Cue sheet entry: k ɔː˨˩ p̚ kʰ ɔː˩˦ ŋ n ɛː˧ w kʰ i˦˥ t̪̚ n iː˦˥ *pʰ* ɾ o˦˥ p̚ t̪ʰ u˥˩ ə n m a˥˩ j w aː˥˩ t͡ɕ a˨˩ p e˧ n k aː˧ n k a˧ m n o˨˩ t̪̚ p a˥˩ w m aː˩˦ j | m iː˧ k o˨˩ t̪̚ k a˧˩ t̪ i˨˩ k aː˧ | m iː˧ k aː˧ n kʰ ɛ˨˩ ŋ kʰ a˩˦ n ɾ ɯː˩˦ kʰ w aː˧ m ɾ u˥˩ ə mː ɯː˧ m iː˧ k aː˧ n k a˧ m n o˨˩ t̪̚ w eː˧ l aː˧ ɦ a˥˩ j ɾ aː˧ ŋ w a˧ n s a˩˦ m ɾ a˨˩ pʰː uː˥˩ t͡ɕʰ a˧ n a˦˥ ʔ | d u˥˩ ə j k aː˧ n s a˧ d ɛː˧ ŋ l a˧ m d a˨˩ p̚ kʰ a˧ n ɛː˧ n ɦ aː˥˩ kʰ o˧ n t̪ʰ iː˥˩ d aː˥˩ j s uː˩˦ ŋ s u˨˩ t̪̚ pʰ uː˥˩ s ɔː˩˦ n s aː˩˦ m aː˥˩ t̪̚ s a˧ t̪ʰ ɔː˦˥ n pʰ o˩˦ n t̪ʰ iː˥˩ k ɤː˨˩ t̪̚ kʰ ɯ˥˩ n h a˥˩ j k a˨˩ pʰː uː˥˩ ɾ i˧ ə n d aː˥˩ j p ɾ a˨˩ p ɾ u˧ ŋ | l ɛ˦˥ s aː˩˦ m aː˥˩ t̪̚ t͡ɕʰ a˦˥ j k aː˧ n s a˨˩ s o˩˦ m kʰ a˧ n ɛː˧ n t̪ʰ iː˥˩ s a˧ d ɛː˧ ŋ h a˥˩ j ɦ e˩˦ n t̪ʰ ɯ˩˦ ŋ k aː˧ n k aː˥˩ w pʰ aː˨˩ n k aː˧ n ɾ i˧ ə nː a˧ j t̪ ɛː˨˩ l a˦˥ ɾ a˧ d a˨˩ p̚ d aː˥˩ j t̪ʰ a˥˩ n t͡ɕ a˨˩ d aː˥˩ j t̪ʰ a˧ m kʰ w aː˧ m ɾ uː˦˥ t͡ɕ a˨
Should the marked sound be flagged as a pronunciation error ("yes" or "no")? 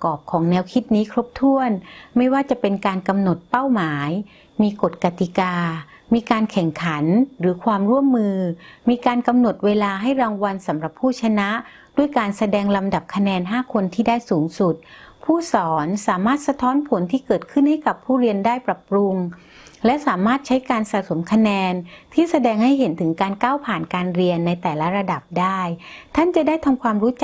yes